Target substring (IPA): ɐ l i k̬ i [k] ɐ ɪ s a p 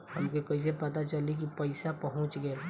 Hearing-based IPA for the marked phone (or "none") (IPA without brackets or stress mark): p